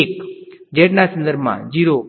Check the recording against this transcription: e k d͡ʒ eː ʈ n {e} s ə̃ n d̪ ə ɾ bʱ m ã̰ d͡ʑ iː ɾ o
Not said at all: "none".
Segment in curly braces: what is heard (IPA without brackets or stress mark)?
a